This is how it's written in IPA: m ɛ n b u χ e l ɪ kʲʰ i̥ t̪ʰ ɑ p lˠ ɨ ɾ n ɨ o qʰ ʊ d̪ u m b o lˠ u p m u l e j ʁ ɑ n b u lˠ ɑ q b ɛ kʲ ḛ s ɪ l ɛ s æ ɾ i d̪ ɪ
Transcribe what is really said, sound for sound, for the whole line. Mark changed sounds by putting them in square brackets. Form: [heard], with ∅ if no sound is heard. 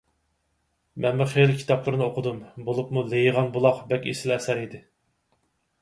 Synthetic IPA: m ɛ n [m] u χ e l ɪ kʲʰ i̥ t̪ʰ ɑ p lˠ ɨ ɾ n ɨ o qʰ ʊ d̪ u m b o lˠ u p m u l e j ʁ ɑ n b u lˠ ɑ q b ɛ kʲ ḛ s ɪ l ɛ s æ ɾ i d̪ ɪ

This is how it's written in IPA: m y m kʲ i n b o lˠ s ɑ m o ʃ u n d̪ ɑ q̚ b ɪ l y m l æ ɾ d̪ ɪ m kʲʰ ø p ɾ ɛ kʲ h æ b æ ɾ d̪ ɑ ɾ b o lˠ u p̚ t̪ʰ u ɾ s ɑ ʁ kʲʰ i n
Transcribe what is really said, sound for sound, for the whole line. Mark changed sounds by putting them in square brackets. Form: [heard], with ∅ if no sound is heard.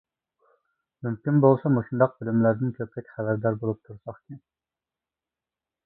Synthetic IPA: m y m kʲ i n b o lˠ s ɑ m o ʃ u n d̪ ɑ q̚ b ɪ l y m l æ ɾ d̪ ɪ [n] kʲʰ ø p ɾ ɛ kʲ [χ] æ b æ ɾ d̪ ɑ ɾ b o lˠ u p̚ t̪ʰ u ɾ s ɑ [χ] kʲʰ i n

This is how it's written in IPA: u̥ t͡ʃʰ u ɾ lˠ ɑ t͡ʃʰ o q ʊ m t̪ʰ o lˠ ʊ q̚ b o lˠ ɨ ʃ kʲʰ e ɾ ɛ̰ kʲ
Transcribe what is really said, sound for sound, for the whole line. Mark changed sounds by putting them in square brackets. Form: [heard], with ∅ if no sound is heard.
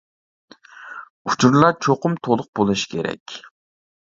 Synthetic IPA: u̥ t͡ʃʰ u ɾ lˠ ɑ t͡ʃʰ o q ʊ m t̪ʰ o lˠ ʊ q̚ b o lˠ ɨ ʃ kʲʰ e ɾ ɛ̰ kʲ

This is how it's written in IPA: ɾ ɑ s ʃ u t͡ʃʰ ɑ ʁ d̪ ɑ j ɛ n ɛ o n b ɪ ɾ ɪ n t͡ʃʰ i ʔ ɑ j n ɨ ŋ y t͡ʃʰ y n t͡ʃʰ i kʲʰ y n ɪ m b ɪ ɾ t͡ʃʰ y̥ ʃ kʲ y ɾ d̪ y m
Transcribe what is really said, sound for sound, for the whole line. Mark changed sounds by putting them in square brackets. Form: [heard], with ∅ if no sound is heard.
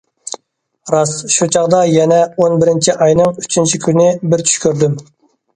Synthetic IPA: ɾ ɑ s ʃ u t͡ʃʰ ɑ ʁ d̪ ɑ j ɛ n ɛ o n b ɪ ɾ ɪ n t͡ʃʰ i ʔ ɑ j n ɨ ŋ y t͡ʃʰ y n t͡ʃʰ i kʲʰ y n ɪ [∅] b ɪ ɾ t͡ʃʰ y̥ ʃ kʲ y ɾ d̪ y m

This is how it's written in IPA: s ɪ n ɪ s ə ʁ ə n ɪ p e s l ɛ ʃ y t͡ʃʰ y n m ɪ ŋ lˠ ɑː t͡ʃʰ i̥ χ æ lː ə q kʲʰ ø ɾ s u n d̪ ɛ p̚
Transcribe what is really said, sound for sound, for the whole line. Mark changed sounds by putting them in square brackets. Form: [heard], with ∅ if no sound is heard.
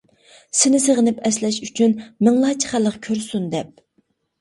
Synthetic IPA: s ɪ n ɪ s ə ʁ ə n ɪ p [ɛ] s l ɛ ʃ y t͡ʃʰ y n m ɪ ŋ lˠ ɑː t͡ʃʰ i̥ χ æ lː ə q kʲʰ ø ɾ s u n d̪ ɛ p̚

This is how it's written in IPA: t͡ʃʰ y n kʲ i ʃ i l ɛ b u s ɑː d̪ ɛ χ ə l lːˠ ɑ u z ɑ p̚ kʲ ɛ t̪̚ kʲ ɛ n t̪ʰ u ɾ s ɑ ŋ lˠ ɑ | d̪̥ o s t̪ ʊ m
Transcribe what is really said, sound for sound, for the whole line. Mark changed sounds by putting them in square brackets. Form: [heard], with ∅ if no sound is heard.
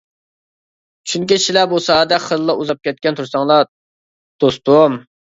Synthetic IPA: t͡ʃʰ y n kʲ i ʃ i l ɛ b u s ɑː d̪ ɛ χ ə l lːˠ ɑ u z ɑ p̚ kʲ ɛ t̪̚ kʲ ɛ n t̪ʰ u ɾ s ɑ ŋ lˠ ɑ | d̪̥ o s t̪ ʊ m

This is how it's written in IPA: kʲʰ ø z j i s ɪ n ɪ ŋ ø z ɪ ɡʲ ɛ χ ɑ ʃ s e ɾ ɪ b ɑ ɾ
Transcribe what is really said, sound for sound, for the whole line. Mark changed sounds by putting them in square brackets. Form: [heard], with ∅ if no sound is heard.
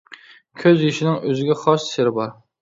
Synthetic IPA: kʲʰ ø z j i [ʃ] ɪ n ɪ ŋ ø z ɪ ɡʲ ɛ χ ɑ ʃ s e ɾ ɪ b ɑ ɾ

